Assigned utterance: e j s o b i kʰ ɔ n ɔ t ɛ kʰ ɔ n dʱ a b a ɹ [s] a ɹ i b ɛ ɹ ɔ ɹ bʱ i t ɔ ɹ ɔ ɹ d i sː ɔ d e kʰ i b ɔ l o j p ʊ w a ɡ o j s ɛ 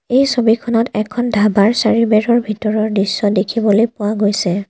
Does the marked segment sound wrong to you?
no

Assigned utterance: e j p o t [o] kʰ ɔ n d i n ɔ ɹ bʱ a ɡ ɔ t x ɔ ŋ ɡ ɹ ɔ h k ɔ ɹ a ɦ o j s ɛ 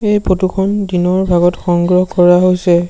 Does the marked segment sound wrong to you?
yes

